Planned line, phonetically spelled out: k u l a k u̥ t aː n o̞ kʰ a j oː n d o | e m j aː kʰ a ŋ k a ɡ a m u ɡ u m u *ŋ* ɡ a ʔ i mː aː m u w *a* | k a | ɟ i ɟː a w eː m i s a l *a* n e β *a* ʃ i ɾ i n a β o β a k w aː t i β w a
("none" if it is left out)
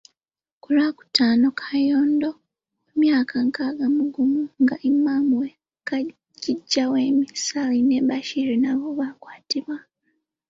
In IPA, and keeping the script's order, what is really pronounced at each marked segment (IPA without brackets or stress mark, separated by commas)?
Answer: ŋ, e, i, a